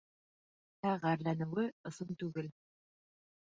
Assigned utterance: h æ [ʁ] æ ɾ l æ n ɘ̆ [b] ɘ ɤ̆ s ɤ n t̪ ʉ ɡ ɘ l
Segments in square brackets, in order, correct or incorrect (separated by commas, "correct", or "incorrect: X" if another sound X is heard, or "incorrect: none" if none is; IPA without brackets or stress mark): correct, incorrect: w